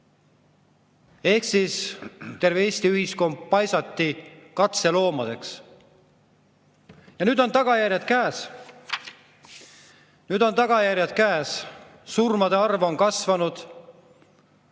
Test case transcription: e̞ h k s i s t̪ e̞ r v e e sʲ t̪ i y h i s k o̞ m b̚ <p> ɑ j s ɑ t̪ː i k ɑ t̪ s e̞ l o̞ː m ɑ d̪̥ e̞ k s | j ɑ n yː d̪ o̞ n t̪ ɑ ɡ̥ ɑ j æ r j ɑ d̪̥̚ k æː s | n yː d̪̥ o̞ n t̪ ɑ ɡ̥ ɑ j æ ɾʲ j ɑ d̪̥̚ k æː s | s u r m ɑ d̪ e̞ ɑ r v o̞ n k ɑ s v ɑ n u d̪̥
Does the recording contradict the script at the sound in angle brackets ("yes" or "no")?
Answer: no